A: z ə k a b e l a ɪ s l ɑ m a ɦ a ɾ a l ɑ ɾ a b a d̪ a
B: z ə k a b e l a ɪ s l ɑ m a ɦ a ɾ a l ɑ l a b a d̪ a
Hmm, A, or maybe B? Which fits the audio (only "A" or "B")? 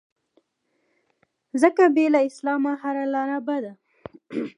A